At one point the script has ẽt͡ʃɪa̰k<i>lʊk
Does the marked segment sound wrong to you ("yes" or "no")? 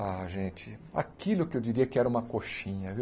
no